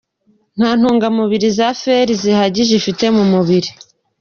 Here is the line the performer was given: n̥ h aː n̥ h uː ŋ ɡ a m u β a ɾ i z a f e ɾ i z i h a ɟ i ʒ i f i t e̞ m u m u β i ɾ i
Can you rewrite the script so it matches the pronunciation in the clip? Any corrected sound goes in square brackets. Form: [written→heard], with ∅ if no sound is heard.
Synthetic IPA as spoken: n̥ h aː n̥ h uː ŋ ɡ a m u β [a→i] ɾ i z a f e ɾ i z i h a ɟ i ʒ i f i t e̞ m u m u β i ɾ i